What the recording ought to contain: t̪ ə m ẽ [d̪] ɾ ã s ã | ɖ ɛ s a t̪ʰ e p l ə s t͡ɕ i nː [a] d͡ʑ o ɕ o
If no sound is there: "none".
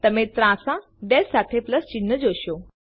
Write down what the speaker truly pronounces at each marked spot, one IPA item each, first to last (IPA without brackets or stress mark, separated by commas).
t̪, ə